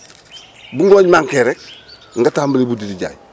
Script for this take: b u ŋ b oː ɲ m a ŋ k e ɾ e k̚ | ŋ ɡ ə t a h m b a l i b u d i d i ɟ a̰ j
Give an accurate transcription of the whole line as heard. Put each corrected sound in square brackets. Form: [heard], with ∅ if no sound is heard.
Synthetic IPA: b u ŋ [ɡ] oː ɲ m a ŋ k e ɾ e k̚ | ŋ ɡ [a] t a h m b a l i b u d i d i ɟ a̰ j